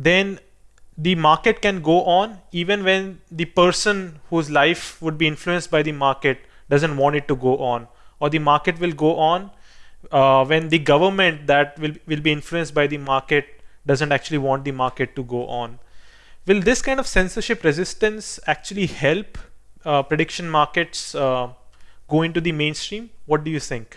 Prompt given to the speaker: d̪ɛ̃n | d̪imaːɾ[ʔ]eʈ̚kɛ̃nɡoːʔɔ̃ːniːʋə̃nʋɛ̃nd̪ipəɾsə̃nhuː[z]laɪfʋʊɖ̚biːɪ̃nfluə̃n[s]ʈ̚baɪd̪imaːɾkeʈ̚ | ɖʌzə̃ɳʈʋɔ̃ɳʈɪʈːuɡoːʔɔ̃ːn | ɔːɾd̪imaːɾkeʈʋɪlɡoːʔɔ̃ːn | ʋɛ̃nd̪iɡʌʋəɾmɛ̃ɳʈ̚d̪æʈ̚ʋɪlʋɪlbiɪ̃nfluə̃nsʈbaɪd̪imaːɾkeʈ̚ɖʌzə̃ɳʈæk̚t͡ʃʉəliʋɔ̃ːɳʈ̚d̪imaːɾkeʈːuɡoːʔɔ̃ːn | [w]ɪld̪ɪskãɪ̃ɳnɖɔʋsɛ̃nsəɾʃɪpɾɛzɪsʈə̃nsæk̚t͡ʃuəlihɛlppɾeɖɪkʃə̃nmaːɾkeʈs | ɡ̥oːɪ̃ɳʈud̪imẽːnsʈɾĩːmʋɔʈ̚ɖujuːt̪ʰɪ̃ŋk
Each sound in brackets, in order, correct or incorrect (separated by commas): incorrect, correct, correct, incorrect